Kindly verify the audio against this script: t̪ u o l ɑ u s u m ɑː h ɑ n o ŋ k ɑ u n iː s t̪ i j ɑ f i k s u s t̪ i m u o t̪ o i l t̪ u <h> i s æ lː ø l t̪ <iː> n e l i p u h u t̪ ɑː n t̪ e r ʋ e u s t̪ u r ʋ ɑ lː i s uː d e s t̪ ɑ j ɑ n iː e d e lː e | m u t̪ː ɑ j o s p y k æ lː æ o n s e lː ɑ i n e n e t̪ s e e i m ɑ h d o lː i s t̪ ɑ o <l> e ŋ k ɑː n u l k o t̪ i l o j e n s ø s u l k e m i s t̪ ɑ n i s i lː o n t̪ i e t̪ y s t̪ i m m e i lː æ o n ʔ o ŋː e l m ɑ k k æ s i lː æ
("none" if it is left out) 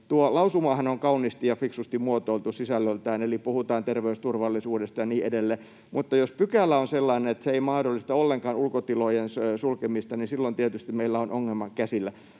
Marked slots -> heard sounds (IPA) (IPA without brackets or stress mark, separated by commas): s, æː, lː